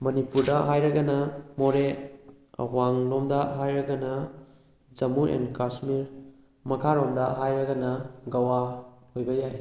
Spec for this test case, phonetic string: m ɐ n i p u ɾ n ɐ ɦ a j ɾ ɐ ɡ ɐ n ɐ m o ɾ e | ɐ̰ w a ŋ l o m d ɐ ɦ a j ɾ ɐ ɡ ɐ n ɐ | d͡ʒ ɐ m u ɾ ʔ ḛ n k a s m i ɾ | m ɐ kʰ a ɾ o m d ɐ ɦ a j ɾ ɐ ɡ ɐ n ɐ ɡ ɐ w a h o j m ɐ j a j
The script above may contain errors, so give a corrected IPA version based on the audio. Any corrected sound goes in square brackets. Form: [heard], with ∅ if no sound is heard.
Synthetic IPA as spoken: m ɐ n i p u ɾ [d] ɐ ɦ a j ɾ ɐ ɡ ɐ n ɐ m o ɾ e | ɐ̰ w a ŋ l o m d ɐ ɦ a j ɾ ɐ ɡ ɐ n ɐ | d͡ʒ ɐ m u ɾ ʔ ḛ n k a s m i ɾ | m ɐ kʰ a ɾ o m d ɐ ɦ a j ɾ ɐ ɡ ɐ n ɐ ɡ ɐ w a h o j [b] ɐ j a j